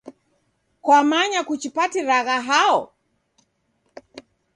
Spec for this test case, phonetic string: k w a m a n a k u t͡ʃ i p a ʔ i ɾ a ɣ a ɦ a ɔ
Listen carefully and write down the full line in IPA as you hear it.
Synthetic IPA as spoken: k w a m a ɲ a k u t͡ʃ i p a t i ɾ a ɣ a ɦ a ɔ